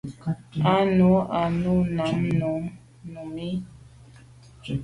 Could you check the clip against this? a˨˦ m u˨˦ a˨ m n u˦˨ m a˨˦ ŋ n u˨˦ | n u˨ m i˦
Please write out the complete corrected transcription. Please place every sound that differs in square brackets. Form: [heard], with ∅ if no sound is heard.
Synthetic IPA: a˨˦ [n] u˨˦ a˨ [∅] n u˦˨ [n] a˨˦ [m] n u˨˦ | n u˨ m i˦

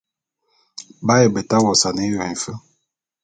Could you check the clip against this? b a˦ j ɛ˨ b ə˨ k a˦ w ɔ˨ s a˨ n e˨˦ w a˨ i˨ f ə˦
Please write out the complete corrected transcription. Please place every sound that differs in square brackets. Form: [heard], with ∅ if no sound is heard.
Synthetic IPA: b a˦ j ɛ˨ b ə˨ [t] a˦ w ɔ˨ s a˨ n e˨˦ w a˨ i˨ f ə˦

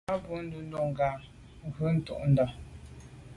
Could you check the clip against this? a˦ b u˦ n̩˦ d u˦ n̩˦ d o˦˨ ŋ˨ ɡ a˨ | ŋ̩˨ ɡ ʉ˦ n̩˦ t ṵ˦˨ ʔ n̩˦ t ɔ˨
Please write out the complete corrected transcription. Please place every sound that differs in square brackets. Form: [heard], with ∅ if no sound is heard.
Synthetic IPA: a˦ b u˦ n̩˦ d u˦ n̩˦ d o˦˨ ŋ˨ ɡ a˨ | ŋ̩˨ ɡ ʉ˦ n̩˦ t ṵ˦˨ ʔ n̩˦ [d] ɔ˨

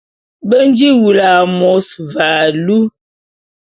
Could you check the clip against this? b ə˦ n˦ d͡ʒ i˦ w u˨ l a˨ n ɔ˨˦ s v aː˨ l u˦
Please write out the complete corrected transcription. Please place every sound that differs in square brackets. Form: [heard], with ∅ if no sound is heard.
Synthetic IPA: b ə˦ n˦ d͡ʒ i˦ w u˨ l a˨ [m] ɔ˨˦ s v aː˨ l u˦

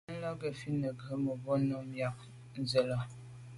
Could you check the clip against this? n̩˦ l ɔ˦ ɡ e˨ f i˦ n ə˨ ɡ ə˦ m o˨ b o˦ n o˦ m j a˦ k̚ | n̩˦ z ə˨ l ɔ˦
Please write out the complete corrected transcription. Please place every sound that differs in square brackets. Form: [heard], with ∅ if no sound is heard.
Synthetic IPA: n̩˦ l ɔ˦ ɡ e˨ f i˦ n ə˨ ɡ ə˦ m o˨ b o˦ n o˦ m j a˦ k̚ | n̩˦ z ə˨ l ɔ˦

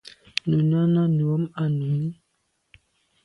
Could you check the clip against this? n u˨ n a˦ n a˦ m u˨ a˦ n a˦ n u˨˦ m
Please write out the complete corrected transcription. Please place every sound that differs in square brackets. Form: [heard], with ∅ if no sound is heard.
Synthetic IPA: n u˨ n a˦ n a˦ [n] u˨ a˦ [m] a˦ n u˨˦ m

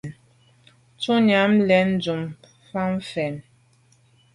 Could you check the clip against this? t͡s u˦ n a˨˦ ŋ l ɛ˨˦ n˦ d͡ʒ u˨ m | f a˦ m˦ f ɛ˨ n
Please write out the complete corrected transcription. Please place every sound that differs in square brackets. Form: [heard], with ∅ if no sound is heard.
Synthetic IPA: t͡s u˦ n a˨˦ [m] l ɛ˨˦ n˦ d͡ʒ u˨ m | f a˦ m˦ f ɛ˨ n

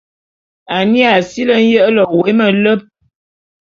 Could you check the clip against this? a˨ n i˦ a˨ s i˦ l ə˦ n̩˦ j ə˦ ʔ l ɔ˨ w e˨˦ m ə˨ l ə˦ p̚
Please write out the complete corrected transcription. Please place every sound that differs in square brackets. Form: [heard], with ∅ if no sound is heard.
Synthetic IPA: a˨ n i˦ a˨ s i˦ l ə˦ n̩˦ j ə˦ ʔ l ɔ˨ w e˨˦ m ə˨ l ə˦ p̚

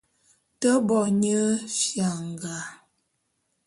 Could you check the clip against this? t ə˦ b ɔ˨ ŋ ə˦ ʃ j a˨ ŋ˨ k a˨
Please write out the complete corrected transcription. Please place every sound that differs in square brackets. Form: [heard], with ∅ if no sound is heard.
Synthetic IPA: t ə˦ b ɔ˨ [ɲ] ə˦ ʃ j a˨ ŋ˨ [ɡ] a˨

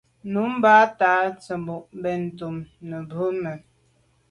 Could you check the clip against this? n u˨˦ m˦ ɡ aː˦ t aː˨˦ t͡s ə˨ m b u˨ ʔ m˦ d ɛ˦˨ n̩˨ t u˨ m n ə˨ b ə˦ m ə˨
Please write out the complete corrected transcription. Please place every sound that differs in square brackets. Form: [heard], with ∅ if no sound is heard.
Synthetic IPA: n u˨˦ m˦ [b] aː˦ t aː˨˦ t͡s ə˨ m b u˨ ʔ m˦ [b] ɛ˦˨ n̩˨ t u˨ m n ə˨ b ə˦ m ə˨

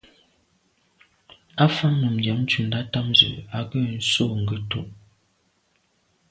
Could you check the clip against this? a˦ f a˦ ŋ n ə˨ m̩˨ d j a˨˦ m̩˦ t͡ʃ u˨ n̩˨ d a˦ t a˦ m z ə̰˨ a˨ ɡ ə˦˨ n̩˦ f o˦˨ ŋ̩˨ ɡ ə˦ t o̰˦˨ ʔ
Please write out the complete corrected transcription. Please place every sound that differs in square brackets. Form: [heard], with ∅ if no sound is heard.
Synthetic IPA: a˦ f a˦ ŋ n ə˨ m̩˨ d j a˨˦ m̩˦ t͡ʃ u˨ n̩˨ d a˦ t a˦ m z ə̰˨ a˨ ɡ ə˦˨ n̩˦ [s] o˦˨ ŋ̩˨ ɡ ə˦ t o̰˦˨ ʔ

